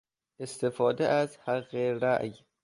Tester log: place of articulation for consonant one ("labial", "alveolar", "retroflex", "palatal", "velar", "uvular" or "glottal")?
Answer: alveolar